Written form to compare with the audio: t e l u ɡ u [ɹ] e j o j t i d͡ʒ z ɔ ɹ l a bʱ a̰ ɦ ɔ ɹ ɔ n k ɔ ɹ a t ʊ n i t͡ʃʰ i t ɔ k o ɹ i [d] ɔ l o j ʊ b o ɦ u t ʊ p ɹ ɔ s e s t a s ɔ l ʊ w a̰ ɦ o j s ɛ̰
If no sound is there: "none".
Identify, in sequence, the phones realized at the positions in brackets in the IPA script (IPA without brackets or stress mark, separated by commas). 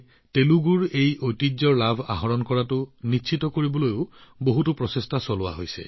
ɹ, b